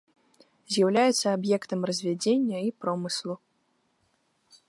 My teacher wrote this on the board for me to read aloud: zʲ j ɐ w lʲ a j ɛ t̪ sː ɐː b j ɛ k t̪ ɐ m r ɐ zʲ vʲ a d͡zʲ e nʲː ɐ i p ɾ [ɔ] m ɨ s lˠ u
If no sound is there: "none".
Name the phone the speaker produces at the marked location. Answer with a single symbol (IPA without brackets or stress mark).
ɔ